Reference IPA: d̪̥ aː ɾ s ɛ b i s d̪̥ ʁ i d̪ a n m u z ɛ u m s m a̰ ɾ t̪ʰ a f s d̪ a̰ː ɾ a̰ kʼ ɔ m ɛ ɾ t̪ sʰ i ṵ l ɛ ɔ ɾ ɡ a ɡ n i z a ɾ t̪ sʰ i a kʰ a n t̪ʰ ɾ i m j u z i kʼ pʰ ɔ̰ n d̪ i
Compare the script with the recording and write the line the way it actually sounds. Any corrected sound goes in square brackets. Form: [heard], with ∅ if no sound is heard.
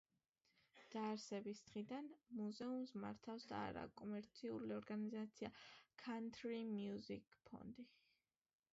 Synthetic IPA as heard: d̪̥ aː ɾ s ɛ b i s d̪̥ ʁ i d̪ a n m u z ɛ u m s m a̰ ɾ t̪ʰ a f s d̪ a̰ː ɾ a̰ kʼ ɔ m ɛ ɾ t̪ sʰ i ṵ l [i] ɔ ɾ ɡ a [∅] n i z a [∅] t̪ sʰ i a kʰ a n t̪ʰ ɾ i m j u z i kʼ pʰ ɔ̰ n d̪ i